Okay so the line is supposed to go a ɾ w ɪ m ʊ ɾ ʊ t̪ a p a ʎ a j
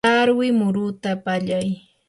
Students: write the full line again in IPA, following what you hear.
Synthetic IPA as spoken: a ɾ w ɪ m ʊ ɾ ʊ t̪ a p a ʎ a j